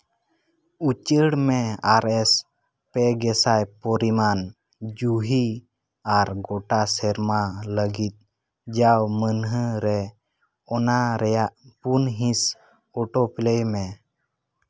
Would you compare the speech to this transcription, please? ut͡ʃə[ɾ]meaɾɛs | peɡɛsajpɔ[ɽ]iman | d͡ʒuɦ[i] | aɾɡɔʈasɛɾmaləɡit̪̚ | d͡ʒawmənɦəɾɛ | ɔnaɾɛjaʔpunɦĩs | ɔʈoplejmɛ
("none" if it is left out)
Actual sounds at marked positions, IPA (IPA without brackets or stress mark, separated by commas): ɽ, ɾ, i